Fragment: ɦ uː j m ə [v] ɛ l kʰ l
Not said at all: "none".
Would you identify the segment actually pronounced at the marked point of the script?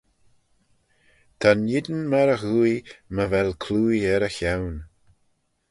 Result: v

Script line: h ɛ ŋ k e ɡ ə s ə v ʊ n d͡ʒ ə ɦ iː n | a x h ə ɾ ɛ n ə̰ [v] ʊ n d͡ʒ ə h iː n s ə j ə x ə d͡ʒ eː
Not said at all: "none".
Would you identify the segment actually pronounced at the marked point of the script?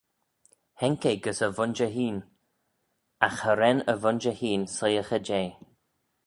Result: v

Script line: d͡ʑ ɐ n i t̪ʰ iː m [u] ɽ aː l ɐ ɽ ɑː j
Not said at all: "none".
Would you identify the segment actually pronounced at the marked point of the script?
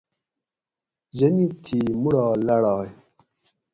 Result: u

